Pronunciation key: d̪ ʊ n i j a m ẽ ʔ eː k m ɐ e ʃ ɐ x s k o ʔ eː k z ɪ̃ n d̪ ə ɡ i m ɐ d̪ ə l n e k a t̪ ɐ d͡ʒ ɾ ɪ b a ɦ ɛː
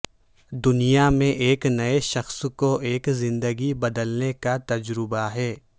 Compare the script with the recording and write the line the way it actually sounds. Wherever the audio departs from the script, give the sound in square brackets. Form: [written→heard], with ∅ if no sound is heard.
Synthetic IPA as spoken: d̪ ʊ n i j a m ẽ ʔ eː k [m→n] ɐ e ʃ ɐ x s k o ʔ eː k z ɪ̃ n d̪ ə ɡ i [m→b] ɐ d̪ ə l n e k a t̪ ɐ d͡ʒ ɾ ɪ b a ɦ ɛː